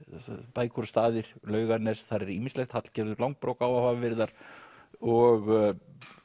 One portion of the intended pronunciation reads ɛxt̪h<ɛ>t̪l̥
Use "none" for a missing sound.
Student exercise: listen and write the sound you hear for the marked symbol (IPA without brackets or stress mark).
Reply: a